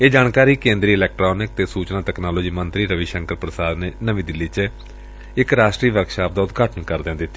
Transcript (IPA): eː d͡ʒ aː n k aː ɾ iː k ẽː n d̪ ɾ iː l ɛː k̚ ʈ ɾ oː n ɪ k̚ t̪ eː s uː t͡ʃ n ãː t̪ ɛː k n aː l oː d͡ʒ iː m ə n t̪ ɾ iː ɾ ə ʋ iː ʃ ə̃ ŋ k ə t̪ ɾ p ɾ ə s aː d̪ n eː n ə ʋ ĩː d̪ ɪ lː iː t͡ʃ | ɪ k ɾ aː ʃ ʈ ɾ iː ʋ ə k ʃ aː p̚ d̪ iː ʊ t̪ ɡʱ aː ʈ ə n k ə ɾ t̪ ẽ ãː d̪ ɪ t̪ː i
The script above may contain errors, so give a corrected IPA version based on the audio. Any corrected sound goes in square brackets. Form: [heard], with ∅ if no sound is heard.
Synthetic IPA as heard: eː d͡ʒ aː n k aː ɾ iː k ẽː n d̪ ɾ iː l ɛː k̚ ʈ ɾ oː n ɪ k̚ t̪ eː s uː t͡ʃ n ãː t̪ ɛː k n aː l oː d͡ʒ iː m ə n t̪ ɾ iː ɾ ə ʋ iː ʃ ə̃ ŋ k ə [∅] ɾ p ɾ ə s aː d̪ n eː n ə ʋ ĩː d̪ ɪ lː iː t͡ʃ | ɪ k ɾ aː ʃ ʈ ɾ iː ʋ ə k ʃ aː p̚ d̪ [aː] ʊ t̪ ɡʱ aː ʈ ə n k ə ɾ [d̪] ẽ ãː d̪ ɪ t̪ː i